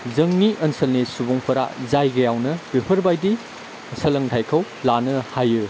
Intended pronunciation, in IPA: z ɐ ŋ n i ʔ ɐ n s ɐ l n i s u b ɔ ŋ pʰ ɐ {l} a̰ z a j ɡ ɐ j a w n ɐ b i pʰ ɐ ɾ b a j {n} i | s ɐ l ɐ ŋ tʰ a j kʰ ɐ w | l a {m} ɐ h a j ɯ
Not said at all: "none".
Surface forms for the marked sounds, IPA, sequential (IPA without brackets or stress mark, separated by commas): ɾ, d, n